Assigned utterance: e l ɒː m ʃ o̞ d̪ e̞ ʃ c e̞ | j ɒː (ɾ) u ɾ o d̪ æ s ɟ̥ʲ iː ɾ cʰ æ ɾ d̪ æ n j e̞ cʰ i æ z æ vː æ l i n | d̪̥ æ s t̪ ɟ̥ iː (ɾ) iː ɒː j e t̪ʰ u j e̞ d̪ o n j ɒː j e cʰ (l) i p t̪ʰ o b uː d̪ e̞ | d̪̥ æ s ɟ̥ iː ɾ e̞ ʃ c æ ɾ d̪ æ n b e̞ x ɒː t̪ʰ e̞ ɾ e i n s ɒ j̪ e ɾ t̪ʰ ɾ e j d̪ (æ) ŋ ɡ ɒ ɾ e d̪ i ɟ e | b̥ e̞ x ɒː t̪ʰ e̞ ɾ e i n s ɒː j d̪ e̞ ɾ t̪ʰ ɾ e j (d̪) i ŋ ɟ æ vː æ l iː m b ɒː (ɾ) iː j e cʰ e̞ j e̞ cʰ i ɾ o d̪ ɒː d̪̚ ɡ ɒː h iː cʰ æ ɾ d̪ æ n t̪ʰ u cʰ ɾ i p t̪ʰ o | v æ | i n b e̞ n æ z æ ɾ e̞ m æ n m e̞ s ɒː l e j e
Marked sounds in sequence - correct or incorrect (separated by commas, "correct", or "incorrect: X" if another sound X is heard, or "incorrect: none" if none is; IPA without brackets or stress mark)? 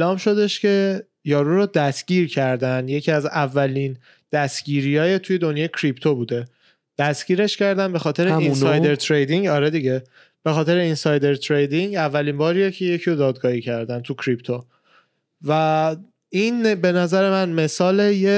correct, correct, incorrect: ɾ, incorrect: i, correct, correct